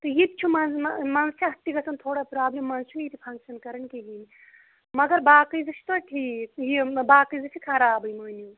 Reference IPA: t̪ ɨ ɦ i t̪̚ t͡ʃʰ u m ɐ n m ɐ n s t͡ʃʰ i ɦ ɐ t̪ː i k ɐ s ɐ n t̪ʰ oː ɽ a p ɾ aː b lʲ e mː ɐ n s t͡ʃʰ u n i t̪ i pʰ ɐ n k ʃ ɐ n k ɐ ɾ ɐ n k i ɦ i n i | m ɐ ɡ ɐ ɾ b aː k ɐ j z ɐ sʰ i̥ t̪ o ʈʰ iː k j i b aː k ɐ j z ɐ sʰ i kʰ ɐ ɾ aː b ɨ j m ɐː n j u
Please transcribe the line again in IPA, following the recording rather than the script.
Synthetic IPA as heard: t̪ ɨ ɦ i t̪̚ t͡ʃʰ u m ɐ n m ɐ n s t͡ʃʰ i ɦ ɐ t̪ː i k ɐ s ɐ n t̪ʰ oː ɽ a p ɾ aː b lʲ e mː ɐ n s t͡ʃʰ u n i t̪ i pʰ ɐ ŋ k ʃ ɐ n k ɐ ɾ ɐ n k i ɦ i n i | m ɐ ɡ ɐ ɾ b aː k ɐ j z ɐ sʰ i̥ t̪ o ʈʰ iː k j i b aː k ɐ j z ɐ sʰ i kʰ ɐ ɾ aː b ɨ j m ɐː n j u